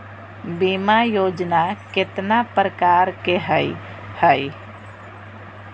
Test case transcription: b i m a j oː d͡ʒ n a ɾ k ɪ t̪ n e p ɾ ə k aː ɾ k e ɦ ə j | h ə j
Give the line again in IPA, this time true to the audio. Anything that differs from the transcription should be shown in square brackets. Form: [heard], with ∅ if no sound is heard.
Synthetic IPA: b i m a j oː d͡ʒ n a [∅] k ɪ t̪ n [a] p ɾ ə k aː ɾ k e ɦ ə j | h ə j